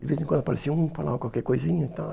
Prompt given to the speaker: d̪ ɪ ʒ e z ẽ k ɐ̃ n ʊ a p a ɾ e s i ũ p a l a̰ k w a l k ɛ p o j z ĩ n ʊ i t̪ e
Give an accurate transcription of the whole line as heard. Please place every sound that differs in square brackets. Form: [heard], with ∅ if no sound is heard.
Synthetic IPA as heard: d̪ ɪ [v] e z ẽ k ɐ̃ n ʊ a p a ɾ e s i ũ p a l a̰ k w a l k ɛ [k] o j z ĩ [ɲ] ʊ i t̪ [a]